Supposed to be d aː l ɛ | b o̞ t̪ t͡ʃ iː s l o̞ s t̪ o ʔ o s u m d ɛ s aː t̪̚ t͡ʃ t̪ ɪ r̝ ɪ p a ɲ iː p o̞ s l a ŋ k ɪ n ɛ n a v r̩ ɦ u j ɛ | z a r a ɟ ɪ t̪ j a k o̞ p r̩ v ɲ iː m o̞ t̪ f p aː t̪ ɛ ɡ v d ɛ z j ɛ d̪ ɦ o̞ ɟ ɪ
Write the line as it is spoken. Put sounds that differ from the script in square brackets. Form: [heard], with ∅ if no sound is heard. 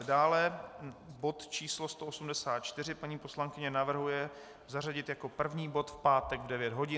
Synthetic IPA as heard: d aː l ɛ | b o̞ t̪ t͡ʃ iː s l o̞ s t̪ o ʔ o s u m d ɛ s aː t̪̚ t͡ʃ t̪ ɪ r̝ ɪ p a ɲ iː p o̞ s l a ŋ k ɪ [ɲ] ɛ n a v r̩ ɦ u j ɛ | z a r a ɟ ɪ t̪ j a k o̞ p r̩ v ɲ iː [b] o̞ t̪ f p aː t̪ ɛ ɡ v d ɛ [v] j ɛ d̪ ɦ o̞ ɟ ɪ